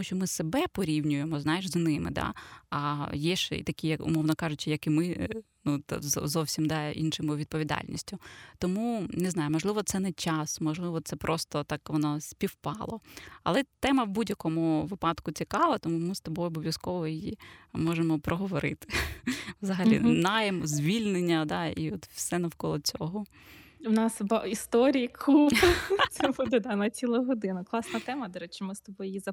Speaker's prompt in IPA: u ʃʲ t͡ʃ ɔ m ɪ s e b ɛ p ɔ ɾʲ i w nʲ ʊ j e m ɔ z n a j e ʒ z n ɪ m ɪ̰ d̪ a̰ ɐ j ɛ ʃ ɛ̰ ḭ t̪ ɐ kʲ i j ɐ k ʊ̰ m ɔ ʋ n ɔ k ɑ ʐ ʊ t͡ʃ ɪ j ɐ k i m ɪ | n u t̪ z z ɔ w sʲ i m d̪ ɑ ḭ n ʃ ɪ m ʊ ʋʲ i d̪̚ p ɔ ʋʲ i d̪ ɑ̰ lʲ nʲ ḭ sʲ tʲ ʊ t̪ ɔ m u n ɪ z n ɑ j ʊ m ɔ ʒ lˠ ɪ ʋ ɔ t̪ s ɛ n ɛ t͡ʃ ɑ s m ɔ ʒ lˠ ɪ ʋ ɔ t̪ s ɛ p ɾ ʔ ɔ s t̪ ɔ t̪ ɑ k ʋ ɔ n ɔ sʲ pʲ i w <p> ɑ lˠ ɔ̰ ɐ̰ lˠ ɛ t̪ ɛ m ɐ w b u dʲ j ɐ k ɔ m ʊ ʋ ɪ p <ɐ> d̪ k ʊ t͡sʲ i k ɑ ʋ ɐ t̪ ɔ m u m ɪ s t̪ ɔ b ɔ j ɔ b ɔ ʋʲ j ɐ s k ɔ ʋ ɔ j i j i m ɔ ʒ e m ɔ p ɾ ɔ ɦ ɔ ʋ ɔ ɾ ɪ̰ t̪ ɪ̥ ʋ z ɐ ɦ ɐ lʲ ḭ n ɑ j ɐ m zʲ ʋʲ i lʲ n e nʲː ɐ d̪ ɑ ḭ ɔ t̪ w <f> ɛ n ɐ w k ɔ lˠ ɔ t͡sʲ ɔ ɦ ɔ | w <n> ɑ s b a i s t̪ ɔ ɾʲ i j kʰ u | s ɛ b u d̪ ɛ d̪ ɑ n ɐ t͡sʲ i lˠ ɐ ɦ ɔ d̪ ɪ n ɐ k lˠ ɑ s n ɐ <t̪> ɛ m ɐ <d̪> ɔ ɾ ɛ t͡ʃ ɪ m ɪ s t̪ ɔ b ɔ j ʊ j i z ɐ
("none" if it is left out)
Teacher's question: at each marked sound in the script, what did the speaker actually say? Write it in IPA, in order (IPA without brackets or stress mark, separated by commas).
p, ɑ, s, n, t̪, d̪